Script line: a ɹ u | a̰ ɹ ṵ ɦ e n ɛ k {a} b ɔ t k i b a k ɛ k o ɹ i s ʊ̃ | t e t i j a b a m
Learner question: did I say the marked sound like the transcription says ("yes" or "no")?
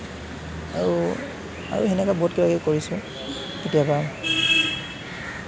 yes